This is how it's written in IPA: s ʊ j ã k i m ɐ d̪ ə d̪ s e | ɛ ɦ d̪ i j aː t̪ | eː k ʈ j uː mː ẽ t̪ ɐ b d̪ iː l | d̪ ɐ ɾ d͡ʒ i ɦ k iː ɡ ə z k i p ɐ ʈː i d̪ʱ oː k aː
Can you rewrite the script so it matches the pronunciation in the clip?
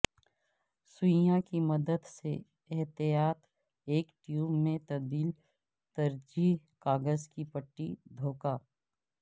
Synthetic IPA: s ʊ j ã k i m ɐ d̪ ə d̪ s e | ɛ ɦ t̪ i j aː t̪ | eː k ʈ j uː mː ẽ t̪ ɐ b d̪ iː l | t̪ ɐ ɾ d͡ʒ i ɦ k aː ɡ ə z k i p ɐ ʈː i d̪ʱ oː k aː